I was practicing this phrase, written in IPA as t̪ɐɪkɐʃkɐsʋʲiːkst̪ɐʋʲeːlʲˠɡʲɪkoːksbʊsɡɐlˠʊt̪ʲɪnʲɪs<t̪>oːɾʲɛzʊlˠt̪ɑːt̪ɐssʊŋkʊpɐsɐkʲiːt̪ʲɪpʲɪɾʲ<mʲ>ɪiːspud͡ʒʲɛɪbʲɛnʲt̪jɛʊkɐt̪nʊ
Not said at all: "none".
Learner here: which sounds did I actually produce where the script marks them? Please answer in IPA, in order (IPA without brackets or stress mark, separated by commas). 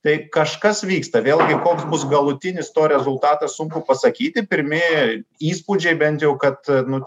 t̪, mʲ